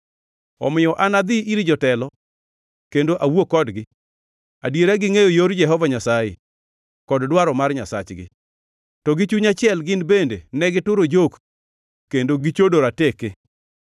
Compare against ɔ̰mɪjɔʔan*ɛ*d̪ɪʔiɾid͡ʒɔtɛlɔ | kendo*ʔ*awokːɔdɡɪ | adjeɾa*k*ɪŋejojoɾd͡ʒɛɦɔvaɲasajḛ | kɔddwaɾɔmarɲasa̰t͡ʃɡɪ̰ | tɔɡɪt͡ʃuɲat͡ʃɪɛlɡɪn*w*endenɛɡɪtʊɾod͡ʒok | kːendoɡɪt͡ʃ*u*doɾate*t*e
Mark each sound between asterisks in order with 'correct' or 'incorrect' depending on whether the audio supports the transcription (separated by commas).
incorrect, correct, incorrect, incorrect, incorrect, incorrect